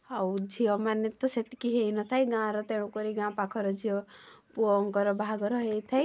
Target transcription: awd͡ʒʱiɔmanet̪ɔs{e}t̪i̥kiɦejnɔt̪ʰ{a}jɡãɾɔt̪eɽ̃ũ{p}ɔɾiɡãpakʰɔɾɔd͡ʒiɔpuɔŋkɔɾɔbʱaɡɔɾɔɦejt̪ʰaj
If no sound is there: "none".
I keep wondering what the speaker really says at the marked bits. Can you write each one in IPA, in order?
e, a, k

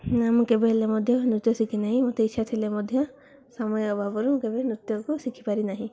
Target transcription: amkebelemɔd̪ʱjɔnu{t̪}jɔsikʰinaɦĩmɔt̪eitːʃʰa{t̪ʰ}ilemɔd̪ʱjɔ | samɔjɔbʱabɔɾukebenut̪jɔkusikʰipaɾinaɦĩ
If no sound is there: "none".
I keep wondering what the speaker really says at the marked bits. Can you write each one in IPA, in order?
t̪, t̪ʰ

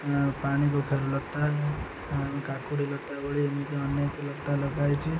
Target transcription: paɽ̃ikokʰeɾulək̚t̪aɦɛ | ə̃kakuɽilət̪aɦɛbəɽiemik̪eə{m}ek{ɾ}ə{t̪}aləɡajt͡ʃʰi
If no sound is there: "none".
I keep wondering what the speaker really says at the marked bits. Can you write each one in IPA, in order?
n, l, t̪

